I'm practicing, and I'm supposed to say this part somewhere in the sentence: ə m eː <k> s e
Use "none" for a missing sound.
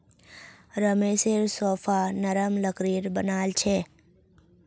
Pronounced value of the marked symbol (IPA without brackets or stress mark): none